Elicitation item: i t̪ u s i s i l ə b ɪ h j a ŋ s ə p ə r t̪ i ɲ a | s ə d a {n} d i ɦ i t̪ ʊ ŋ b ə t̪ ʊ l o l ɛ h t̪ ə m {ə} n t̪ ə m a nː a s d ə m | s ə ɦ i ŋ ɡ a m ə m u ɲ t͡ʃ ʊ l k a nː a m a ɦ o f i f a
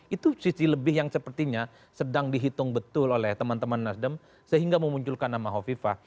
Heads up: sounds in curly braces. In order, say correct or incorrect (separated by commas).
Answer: incorrect, incorrect